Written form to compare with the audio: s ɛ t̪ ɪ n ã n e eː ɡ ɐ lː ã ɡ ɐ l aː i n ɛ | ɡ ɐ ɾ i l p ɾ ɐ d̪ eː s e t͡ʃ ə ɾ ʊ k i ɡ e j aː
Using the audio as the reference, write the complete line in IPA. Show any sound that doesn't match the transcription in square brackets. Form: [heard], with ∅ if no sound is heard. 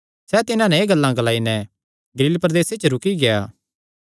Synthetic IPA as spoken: s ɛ t̪ ɪ n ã n [ɛ] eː ɡ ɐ lː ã ɡ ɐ l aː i n ɛ | ɡ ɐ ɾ [iː] l p ɾ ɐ d̪ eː s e t͡ʃ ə ɾ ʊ k i ɡ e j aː